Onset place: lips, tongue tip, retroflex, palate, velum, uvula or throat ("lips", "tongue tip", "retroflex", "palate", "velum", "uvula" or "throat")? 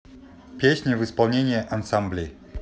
lips